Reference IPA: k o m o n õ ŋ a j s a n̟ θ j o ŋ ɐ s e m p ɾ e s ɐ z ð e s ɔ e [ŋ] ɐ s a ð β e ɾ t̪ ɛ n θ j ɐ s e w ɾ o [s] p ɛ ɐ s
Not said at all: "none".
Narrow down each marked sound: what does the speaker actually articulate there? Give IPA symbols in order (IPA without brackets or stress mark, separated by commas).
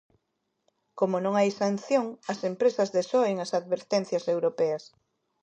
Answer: ŋ, none